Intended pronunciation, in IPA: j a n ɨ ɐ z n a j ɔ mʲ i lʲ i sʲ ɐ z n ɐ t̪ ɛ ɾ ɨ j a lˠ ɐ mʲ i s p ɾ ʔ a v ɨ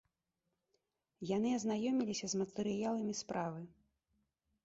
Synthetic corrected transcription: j a n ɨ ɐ z n a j ɔ mʲ i lʲ i sʲ ɐ z m ɐ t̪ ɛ ɾ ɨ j a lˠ ɐ mʲ i s p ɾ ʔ a v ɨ